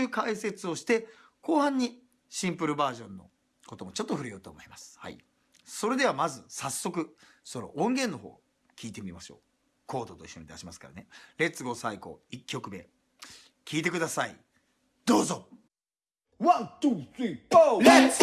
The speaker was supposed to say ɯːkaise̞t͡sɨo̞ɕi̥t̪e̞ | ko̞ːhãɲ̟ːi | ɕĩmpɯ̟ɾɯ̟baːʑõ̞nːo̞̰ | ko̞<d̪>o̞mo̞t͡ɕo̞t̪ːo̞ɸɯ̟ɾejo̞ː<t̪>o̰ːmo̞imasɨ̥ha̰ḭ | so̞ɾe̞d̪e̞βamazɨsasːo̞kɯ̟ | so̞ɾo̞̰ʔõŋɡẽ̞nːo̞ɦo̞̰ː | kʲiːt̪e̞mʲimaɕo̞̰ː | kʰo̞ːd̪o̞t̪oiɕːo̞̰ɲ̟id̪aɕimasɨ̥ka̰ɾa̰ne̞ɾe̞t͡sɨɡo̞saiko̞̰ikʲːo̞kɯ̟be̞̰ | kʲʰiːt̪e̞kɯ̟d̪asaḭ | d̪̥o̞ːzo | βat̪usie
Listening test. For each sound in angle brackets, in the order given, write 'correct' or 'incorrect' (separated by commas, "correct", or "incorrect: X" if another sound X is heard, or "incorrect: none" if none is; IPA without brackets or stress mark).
incorrect: t̪, correct